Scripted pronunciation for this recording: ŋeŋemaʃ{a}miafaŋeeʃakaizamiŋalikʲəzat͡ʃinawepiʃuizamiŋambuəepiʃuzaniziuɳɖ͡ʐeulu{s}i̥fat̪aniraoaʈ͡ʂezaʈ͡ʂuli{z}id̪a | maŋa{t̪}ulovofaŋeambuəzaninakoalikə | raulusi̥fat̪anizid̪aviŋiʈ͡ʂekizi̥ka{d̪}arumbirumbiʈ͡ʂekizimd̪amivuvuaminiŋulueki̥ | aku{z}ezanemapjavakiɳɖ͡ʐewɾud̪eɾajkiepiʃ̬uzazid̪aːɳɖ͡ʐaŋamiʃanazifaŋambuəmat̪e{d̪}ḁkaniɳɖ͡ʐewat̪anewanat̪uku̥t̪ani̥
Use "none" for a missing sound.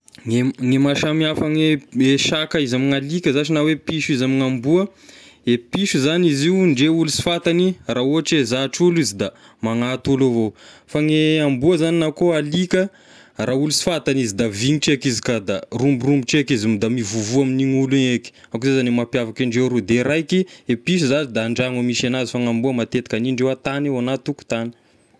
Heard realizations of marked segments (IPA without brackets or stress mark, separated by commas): a, s, z, t̪, d̪, z, t̪